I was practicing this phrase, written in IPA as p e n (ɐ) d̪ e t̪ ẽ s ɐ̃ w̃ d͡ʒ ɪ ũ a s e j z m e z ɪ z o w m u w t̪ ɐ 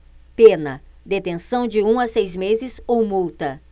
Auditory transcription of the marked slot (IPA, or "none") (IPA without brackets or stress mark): ɐ